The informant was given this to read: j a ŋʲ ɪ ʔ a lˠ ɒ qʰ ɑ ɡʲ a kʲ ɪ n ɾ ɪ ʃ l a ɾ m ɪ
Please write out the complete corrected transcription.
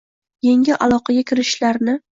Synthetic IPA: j e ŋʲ ɪ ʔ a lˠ ɒ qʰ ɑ ɡʲ a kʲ ɪ ɾ ɪ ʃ l a ɾ n ɪ